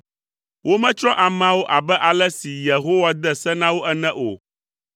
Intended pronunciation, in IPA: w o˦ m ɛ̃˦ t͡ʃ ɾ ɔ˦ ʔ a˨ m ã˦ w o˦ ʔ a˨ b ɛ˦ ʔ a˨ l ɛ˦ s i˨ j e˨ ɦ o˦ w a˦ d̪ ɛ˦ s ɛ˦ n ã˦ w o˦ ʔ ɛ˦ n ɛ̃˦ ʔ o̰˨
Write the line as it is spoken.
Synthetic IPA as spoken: w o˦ m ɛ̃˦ t͡ʃ ɾ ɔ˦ ʔ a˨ m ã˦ w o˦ ʔ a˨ b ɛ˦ ʔ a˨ l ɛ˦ s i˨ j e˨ ɦ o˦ w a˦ d̪ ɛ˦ s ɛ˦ n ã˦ w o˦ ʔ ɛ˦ n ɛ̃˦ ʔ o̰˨